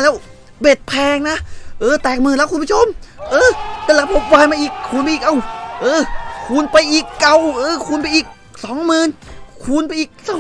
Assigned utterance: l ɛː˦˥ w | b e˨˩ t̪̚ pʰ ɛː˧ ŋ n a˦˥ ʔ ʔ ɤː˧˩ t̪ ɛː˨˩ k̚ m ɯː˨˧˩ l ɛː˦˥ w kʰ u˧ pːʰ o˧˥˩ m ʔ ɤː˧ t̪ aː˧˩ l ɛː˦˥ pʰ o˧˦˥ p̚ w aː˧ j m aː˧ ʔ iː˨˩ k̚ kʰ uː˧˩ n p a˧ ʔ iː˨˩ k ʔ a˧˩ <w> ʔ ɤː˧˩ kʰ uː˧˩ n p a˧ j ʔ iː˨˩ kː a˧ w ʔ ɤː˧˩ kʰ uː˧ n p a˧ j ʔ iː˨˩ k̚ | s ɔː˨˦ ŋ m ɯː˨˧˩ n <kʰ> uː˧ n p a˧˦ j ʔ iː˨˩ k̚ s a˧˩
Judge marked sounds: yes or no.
yes, yes

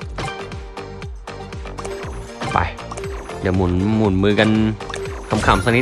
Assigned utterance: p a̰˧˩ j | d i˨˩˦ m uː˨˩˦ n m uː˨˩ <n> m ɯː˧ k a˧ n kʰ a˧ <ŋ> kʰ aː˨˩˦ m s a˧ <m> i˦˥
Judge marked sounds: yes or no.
yes, no, no

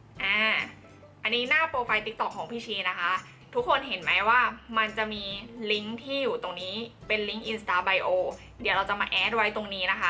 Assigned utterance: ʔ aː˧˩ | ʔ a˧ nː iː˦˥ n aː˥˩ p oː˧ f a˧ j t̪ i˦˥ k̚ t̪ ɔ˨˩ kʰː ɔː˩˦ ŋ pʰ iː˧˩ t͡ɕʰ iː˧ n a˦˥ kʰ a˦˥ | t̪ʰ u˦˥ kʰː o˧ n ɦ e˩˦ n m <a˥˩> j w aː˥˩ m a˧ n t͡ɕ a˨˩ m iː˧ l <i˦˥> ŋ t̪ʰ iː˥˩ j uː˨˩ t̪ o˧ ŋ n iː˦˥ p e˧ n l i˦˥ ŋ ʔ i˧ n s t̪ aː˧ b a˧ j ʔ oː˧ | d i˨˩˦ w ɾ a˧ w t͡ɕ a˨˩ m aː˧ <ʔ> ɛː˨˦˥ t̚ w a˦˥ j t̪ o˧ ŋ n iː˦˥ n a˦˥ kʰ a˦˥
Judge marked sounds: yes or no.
no, yes, yes

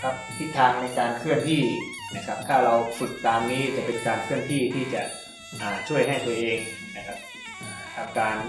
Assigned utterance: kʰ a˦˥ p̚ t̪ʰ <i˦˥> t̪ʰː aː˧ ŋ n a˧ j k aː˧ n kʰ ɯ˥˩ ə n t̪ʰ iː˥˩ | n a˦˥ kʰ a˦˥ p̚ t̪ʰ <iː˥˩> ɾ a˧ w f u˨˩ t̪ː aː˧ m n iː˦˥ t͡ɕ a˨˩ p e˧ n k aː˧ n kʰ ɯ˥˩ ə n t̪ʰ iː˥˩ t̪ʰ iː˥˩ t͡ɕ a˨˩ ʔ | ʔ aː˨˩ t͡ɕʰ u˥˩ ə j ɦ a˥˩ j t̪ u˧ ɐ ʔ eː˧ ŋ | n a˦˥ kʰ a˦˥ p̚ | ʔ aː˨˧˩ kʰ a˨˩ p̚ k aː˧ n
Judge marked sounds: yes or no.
yes, no

